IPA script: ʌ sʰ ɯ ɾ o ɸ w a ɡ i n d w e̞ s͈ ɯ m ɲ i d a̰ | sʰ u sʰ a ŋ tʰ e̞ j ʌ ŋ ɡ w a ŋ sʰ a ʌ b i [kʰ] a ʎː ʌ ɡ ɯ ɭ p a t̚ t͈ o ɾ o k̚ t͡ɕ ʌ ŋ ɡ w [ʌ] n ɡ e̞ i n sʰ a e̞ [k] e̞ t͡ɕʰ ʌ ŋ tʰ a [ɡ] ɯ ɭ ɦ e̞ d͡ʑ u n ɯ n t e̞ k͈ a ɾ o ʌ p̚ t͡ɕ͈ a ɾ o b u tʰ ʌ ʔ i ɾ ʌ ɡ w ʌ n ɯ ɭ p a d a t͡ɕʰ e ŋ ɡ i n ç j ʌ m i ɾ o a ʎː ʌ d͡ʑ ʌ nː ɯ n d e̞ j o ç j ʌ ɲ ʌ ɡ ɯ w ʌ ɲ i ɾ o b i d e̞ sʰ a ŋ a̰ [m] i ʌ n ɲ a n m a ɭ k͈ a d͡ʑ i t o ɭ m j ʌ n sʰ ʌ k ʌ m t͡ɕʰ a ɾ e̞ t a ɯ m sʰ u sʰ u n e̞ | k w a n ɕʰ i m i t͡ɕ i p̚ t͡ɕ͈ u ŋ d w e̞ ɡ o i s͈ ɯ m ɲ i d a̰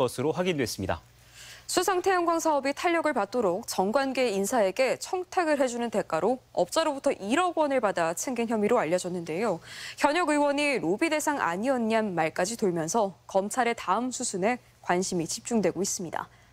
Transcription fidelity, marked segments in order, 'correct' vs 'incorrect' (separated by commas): incorrect, incorrect, incorrect, correct, incorrect